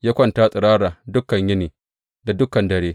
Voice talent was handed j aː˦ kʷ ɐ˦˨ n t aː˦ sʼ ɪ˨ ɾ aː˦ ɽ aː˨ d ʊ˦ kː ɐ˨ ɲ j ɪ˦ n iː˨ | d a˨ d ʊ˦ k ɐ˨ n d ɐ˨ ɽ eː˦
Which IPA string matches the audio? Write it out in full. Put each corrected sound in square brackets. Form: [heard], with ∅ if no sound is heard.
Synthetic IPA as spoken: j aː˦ kʷ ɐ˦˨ n t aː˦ sʼ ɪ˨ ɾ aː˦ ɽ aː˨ d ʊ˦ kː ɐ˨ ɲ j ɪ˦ n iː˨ | d a˨ d ʊ˦ k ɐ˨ n d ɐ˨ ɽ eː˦

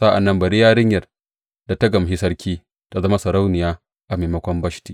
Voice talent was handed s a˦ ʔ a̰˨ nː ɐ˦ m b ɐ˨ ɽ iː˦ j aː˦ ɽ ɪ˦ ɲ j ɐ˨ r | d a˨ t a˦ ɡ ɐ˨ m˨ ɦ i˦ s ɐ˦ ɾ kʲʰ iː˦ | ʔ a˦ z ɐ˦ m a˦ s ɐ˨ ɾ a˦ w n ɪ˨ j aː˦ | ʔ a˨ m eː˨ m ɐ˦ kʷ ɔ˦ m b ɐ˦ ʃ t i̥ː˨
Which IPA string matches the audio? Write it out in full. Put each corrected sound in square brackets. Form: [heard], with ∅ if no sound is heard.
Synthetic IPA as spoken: s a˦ ʔ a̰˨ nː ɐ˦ m b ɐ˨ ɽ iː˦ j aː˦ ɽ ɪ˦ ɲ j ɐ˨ r | d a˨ t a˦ ɡ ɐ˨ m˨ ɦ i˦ s ɐ˦ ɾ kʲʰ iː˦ | [t] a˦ z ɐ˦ m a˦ s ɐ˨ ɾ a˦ w n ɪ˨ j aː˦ | ʔ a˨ m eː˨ m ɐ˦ kʷ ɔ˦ m b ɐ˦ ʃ t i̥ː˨

